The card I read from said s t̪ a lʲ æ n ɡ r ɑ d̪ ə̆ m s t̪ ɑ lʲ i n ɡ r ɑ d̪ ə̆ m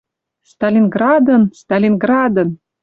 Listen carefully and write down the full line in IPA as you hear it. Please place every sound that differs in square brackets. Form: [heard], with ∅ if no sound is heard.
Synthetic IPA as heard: s t̪ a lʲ [i] n ɡ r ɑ d̪ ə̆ [n] s t̪ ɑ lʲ i n ɡ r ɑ d̪ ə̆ [n]